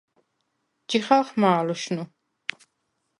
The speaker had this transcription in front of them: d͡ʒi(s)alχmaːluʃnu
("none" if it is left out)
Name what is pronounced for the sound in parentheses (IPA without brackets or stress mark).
χ